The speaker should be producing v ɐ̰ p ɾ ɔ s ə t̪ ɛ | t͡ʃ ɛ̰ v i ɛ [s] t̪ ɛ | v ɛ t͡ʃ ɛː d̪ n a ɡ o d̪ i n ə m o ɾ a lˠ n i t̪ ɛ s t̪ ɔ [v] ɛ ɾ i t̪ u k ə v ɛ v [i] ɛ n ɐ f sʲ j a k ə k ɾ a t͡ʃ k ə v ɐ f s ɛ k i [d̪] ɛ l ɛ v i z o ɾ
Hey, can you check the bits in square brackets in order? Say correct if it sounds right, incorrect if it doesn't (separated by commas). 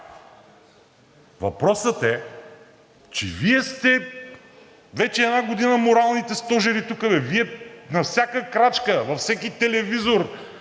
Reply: correct, incorrect, correct, incorrect